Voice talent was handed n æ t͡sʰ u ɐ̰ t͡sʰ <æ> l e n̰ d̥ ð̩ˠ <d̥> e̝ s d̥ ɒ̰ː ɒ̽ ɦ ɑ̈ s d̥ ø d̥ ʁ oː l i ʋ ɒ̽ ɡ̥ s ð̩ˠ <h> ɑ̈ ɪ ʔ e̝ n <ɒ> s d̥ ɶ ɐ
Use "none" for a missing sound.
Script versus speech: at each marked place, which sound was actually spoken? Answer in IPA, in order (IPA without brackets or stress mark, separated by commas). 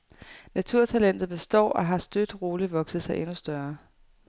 æ, b̥, s, u